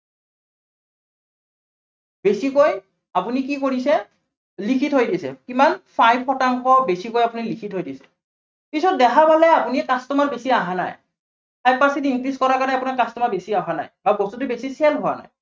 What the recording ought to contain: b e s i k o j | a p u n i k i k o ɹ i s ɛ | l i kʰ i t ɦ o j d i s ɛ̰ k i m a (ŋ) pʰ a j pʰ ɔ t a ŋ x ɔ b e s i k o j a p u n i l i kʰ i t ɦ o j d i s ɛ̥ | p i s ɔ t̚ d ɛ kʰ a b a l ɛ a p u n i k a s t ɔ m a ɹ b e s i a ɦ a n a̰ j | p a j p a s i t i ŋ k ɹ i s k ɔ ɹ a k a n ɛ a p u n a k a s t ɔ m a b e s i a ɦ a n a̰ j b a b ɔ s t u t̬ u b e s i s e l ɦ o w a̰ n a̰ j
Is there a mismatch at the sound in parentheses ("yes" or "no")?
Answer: yes